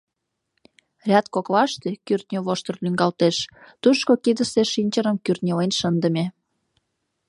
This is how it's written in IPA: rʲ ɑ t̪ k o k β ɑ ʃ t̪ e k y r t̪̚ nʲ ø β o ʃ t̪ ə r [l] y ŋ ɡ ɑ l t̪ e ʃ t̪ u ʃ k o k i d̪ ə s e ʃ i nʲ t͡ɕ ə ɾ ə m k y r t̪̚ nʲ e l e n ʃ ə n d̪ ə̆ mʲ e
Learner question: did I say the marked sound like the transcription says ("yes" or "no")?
yes